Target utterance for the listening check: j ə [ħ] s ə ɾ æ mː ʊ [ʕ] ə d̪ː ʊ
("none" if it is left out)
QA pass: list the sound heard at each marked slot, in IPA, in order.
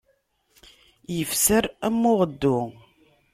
f, ʁ

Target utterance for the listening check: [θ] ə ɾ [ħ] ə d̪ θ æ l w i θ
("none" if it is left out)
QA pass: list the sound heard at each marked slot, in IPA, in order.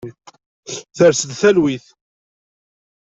θ, s

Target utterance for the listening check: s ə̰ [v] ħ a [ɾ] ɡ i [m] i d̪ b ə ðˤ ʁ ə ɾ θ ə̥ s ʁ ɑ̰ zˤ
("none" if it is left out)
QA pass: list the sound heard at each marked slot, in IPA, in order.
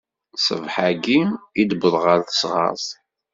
v, none, m

